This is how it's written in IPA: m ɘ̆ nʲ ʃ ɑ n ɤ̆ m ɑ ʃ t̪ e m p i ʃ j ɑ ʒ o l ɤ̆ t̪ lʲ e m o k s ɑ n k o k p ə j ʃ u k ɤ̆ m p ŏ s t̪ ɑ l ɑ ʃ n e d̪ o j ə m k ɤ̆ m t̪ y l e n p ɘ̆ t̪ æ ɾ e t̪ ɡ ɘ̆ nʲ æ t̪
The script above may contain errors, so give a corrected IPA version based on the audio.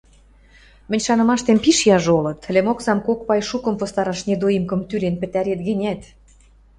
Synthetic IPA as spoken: m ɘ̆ nʲ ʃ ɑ n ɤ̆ m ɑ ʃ t̪ e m p i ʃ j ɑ ʒ o l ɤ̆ t̪ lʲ e m o k s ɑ m k o k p ɑ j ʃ u k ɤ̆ m p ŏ s t̪ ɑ ɾ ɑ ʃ n e d̪ o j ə m k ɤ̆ m t̪ y l e n p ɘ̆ t̪ æ ɾ e t̪ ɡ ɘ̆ nʲ æ t̪